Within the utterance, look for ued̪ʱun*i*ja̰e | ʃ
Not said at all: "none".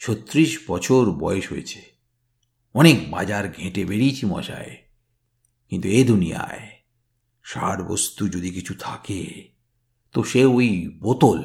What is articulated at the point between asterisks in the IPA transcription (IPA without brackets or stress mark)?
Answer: i